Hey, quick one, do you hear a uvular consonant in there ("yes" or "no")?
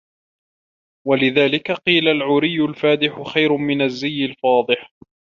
yes